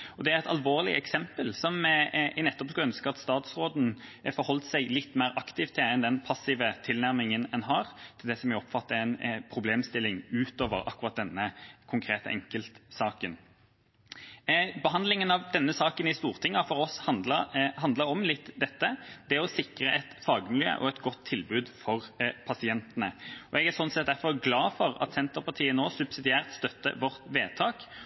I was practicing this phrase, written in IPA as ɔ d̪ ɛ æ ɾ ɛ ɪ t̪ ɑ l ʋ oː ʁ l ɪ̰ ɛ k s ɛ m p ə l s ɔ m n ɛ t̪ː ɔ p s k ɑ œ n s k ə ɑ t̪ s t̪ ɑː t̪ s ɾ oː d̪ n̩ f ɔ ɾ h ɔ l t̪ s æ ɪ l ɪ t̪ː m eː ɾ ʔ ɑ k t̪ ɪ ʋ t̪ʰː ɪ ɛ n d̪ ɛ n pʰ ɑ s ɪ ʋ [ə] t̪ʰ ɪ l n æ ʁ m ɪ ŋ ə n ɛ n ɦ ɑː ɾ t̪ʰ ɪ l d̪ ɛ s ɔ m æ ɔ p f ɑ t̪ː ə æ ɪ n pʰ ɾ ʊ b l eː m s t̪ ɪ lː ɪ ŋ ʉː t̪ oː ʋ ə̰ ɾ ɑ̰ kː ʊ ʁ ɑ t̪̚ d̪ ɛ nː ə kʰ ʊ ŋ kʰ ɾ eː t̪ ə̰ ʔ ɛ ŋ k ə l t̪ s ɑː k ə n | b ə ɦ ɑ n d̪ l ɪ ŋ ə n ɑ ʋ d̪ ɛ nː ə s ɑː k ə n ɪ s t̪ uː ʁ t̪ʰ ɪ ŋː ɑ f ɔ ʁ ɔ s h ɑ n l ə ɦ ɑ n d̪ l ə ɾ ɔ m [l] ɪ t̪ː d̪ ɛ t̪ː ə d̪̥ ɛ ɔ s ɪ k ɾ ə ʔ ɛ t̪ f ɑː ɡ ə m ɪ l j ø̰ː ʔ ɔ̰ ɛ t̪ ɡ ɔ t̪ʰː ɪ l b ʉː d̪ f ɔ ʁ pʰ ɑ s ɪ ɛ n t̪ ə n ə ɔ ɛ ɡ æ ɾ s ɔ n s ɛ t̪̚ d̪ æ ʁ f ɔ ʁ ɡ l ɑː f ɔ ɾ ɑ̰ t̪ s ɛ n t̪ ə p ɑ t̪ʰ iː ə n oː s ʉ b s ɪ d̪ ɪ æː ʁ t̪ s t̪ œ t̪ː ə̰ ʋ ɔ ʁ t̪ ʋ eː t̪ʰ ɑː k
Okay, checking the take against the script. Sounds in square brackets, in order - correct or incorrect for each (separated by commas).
correct, correct